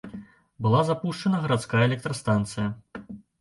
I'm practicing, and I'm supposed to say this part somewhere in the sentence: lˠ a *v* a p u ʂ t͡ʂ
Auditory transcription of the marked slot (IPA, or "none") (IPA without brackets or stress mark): z